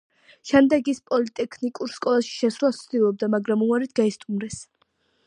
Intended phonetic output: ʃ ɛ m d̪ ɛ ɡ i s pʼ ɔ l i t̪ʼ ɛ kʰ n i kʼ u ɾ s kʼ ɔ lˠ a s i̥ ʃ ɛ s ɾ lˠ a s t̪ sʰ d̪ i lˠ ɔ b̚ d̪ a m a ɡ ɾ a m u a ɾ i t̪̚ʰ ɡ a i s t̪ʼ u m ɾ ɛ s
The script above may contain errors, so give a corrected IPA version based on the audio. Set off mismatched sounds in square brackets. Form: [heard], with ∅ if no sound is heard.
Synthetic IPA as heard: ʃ ɛ m d̪ ɛ ɡ i s pʼ ɔ l i t̪ʼ ɛ kʰ n i kʼ u ɾ s kʼ ɔ lˠ a [ʃ] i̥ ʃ ɛ s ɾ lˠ a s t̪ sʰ d̪ i lˠ ɔ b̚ d̪ a m a ɡ ɾ a m u a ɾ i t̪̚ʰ ɡ a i s t̪ʼ u m ɾ ɛ s